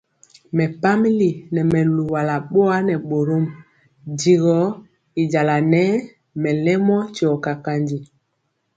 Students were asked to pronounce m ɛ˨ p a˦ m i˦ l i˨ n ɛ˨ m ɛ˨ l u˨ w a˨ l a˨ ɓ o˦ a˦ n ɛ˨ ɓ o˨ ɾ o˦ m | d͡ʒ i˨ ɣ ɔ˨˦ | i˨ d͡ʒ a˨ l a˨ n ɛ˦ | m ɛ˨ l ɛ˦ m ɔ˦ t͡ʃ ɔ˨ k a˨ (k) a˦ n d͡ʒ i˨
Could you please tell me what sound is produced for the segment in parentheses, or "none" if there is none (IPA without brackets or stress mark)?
k